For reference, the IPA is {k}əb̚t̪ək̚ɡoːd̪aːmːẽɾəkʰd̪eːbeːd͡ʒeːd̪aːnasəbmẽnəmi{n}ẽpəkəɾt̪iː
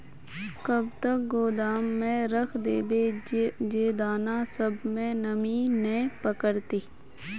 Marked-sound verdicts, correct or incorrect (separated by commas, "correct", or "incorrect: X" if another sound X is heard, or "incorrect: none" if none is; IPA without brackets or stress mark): correct, correct